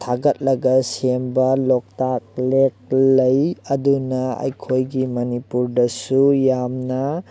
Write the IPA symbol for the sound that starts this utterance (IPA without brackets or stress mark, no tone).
tʰ